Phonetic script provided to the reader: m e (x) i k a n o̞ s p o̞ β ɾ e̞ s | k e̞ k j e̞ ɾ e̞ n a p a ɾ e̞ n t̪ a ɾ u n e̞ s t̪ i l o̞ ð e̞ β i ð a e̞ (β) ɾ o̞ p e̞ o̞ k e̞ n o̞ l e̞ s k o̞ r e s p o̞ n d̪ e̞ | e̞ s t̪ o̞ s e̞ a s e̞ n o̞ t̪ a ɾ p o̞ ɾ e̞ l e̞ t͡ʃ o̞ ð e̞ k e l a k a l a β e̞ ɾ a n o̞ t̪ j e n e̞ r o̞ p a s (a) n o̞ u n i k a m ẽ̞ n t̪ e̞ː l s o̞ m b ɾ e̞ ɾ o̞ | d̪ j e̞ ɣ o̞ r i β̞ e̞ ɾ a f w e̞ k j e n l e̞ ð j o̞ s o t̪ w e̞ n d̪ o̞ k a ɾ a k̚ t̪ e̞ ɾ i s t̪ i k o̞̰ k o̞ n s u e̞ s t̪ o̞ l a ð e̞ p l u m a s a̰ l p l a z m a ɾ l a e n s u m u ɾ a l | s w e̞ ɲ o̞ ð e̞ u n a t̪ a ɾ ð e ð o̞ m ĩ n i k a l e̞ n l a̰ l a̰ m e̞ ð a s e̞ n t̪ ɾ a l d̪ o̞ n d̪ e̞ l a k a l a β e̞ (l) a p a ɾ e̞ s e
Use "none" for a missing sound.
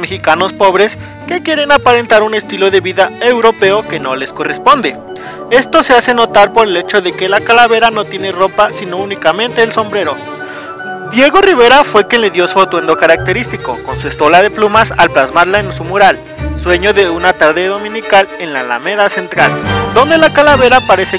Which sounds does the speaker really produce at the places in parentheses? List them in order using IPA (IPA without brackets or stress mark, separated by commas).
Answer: x, w, i, ɾ